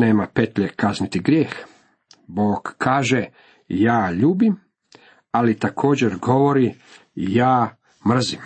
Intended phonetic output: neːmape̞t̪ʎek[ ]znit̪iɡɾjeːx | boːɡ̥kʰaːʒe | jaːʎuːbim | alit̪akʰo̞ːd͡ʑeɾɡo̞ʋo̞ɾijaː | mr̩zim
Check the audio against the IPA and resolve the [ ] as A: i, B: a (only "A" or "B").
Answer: B